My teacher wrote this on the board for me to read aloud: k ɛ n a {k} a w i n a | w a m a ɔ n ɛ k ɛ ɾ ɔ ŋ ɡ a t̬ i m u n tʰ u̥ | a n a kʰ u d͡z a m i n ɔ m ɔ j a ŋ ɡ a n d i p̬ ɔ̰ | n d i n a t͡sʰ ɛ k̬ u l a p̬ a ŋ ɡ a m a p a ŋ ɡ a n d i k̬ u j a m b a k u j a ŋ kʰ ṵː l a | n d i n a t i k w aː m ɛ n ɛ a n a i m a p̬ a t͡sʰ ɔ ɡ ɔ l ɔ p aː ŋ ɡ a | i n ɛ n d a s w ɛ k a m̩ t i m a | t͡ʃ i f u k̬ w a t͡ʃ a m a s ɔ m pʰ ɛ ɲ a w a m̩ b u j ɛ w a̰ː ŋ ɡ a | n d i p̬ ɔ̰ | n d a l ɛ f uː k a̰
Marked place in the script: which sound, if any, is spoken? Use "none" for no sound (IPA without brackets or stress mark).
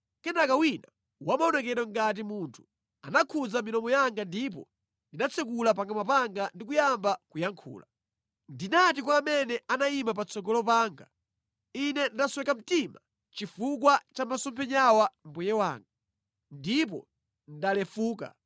k